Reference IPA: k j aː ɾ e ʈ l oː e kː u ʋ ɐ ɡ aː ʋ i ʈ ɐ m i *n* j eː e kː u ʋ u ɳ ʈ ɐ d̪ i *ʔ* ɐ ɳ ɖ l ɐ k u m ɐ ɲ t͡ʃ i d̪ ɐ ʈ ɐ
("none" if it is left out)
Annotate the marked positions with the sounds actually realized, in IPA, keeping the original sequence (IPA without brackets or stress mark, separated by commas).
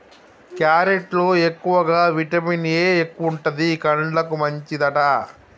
n, k